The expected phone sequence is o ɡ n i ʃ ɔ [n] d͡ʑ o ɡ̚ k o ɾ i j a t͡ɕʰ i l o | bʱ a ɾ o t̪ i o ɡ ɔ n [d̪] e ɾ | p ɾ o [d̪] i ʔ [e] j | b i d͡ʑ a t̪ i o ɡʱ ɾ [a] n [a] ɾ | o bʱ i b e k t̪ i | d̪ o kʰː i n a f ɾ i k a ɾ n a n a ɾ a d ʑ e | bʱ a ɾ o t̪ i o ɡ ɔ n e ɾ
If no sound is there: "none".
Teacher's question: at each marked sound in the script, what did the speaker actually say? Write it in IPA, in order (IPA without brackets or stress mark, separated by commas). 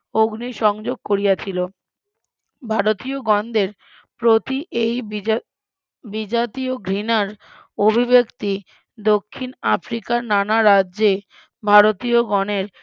ŋ, d̪, t̪, e, i, a